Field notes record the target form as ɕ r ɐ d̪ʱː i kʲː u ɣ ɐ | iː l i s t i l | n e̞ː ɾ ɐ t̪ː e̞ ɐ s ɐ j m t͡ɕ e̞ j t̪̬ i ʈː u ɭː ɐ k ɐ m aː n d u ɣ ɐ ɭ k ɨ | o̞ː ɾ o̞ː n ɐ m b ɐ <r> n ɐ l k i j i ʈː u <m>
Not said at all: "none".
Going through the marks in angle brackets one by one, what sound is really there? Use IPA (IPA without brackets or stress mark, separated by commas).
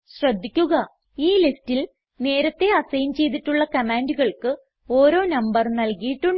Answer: r, ɳ